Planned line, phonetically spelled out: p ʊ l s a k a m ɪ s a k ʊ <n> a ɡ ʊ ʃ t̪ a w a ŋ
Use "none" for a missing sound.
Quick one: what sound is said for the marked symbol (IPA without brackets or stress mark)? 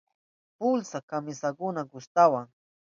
n